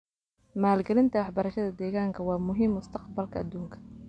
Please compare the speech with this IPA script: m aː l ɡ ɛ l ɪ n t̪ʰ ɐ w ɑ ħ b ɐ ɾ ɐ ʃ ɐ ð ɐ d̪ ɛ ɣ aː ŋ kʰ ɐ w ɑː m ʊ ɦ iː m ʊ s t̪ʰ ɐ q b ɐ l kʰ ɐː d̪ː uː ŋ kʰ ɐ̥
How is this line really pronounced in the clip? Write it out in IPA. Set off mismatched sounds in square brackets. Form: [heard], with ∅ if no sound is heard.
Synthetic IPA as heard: m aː l ɡ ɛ l ɪ n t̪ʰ ɐ w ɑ ħ b ɐ ɾ ɐ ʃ ɐ ð ɐ d̪ [ɛː] ɣ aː ŋ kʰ ɐ w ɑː m ʊ ɦ iː m ʊ s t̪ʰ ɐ q b ɐ l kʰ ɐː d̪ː uː ŋ kʰ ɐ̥